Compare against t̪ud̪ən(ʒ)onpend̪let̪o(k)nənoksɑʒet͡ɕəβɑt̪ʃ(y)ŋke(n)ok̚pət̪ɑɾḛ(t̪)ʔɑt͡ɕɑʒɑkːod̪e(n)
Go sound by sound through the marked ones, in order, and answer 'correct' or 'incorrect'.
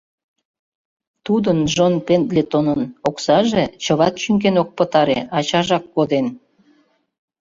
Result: correct, incorrect: none, correct, correct, incorrect: none, correct

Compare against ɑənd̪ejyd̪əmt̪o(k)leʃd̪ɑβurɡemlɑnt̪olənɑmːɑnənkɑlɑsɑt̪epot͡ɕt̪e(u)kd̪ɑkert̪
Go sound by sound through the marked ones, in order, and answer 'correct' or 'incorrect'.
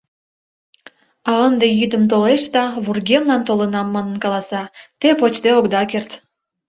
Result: incorrect: none, incorrect: o

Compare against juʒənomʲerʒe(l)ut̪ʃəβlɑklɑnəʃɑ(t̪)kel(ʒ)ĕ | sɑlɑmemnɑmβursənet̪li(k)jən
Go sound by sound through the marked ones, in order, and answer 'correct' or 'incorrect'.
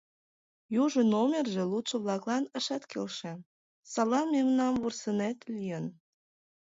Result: correct, correct, incorrect: ʃ, incorrect: none

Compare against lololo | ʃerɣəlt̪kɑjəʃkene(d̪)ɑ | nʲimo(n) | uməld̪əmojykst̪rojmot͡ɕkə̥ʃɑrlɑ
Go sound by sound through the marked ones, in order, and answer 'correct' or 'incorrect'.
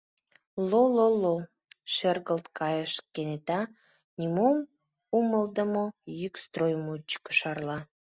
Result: incorrect: t̪, incorrect: m

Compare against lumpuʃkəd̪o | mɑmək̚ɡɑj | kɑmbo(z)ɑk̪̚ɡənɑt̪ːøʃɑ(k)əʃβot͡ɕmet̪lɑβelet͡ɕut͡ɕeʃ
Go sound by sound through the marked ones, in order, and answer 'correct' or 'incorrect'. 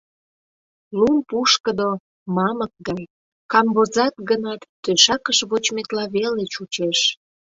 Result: correct, correct

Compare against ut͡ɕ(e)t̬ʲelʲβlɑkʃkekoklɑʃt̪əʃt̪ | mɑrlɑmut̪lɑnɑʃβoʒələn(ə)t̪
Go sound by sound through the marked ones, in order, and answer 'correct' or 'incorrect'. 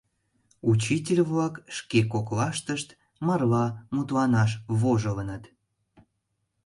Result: incorrect: i, correct

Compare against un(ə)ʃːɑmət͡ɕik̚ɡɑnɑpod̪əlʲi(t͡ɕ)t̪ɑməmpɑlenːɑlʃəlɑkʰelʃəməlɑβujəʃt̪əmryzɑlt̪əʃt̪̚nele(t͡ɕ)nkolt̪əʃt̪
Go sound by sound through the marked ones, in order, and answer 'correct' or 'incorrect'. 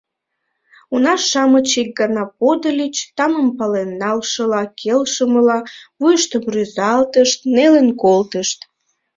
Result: incorrect: ɑ, correct, incorrect: none

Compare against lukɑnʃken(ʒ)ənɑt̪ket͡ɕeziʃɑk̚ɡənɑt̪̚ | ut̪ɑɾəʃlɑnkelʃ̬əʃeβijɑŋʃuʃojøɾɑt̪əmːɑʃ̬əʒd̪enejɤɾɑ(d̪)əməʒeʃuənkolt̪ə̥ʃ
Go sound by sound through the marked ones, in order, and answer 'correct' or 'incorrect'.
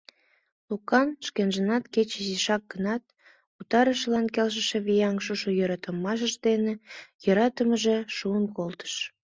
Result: correct, incorrect: t̪

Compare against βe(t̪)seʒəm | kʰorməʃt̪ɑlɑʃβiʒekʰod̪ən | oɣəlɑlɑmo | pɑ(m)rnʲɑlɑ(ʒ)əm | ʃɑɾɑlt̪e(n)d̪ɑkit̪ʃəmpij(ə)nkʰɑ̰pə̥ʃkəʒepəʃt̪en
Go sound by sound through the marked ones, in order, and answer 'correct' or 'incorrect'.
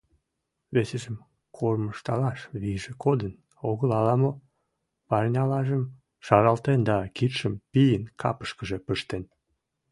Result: incorrect: none, incorrect: none, correct, correct, correct

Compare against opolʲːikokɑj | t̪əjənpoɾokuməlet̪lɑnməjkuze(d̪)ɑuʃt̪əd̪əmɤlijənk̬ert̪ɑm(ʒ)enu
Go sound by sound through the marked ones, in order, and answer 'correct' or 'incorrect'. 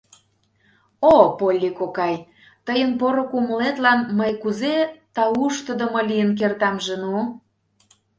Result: incorrect: t̪, correct

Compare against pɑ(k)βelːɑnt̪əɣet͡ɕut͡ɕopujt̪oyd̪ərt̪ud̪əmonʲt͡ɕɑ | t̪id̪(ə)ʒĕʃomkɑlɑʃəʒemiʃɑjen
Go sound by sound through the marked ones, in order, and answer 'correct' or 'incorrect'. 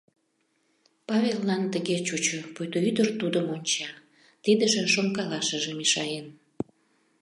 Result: incorrect: none, correct

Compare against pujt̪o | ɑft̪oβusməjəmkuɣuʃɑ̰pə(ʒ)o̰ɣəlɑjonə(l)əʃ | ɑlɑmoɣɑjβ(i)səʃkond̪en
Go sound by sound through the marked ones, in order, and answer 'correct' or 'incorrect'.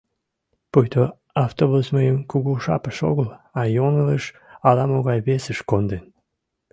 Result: incorrect: ʃ, correct, incorrect: e

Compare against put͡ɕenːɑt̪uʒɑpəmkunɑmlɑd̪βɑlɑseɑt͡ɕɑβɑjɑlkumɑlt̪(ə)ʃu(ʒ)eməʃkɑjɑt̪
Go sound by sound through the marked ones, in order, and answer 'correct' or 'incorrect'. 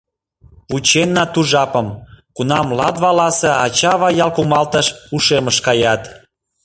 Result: correct, incorrect: ʃ

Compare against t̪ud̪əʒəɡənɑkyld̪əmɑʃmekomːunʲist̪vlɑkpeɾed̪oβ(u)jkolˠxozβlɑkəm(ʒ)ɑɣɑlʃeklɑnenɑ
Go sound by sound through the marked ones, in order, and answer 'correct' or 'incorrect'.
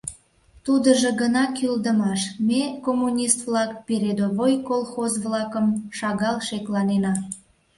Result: incorrect: o, incorrect: ʃ

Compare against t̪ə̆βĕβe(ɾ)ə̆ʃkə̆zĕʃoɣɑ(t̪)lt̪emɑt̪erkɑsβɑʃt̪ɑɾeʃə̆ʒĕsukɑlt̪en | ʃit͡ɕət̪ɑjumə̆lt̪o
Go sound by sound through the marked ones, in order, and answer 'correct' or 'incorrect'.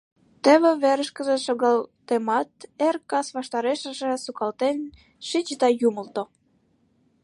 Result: correct, incorrect: none

